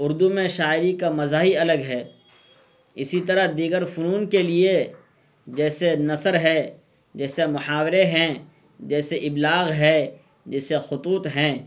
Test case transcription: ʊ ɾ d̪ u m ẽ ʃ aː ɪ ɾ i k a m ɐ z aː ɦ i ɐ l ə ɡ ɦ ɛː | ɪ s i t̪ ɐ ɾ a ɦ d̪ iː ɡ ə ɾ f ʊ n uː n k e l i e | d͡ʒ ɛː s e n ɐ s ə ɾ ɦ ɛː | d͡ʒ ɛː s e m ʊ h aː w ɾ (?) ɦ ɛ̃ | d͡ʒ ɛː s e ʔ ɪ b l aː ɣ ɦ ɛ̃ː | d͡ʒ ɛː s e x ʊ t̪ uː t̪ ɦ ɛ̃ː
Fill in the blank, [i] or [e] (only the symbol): e